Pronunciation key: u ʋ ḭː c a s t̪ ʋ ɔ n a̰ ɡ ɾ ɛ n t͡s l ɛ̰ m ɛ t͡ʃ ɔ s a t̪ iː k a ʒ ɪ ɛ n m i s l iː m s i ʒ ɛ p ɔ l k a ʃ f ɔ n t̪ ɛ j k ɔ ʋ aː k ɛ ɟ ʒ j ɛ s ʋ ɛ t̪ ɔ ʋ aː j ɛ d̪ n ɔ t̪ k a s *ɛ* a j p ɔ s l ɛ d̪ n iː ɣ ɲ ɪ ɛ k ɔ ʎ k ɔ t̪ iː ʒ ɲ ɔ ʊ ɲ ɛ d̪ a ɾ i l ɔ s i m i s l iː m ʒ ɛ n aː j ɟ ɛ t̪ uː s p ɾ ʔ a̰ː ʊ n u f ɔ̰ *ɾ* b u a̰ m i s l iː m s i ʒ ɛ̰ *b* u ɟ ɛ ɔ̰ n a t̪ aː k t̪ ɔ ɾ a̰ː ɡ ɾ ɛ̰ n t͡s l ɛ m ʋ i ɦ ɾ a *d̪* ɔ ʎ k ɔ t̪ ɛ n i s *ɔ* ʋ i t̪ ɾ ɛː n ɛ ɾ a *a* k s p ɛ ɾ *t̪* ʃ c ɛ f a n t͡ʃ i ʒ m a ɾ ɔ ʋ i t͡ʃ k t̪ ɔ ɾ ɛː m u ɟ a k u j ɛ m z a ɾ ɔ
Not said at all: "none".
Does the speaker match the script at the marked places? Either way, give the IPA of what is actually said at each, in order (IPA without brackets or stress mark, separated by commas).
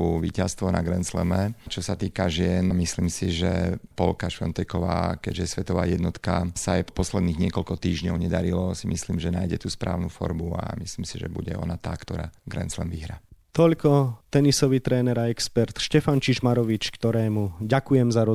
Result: a, ɾ, b, t̪, ɔ, ɛ, t̪